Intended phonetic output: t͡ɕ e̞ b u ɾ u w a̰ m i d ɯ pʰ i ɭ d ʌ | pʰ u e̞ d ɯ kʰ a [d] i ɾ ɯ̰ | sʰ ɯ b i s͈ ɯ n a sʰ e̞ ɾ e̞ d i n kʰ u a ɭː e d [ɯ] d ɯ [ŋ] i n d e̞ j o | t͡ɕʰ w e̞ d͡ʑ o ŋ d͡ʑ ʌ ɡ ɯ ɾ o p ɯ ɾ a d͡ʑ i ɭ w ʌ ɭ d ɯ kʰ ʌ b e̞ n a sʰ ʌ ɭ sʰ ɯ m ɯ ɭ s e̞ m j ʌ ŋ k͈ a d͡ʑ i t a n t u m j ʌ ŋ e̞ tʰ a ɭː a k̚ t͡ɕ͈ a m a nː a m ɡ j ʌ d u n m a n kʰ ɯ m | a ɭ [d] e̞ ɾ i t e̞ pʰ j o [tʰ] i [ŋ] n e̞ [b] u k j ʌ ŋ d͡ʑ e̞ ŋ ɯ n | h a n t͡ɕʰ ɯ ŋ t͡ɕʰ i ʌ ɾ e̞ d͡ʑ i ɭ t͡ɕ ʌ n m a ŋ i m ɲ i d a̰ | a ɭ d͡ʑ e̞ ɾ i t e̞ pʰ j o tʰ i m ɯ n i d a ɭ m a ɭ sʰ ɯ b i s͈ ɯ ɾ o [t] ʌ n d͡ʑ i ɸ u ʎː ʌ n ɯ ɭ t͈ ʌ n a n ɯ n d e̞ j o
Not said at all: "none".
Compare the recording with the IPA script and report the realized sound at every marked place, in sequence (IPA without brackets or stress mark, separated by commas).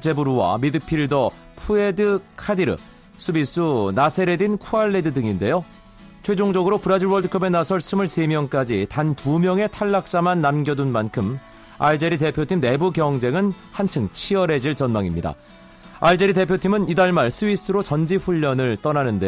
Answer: d, ɯ, ŋ, d͡ʑ, tʰ, m, b, t͡ɕ